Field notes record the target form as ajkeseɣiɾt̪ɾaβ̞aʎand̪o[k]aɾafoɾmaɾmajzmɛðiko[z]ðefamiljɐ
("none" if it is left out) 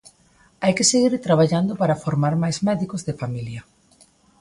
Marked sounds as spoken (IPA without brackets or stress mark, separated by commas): p, z